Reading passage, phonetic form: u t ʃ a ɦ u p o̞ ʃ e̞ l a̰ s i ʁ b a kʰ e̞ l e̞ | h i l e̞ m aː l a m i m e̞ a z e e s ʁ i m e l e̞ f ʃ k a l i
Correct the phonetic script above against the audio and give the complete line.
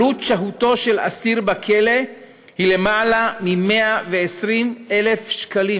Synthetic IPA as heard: u t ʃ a ɦ u t o̞ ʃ e̞ l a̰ s i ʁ b a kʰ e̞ l e̞ | h i l e̞ m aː l a m i m e̞ a v e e s ʁ i m e l e̞ f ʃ k a l i